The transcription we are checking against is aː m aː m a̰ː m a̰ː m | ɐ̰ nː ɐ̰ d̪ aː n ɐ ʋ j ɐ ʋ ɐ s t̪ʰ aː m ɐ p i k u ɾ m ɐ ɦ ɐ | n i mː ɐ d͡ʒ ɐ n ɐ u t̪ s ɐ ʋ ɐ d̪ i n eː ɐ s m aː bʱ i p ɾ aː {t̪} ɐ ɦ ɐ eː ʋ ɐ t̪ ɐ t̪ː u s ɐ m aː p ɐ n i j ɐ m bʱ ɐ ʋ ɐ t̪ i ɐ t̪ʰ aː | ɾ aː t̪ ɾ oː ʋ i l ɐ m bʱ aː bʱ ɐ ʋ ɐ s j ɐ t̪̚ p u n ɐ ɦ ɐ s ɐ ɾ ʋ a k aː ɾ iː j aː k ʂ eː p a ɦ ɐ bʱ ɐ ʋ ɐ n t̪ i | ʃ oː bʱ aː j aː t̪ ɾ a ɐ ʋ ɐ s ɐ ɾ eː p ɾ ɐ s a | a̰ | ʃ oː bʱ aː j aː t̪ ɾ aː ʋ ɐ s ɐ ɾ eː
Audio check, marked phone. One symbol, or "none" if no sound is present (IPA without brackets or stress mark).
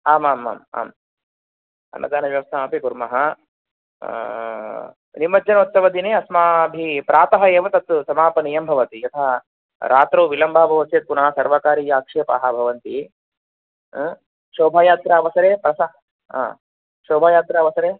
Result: t̪